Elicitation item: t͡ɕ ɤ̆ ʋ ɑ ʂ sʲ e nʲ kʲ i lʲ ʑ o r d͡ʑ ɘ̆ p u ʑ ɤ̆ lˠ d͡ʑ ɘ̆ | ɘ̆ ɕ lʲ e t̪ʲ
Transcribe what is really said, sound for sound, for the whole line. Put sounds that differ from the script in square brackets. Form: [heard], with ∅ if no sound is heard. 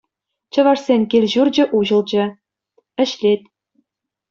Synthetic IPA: t͡ɕ ɤ̆ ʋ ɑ ʂ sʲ e nʲ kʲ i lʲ ʑ [u] r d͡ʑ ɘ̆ [ʔ] u ʑ ɤ̆ lˠ d͡ʑ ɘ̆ | ɘ̆ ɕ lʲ e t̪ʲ